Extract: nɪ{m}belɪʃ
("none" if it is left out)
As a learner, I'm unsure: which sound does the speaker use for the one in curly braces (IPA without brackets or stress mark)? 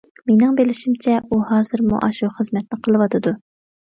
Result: ŋ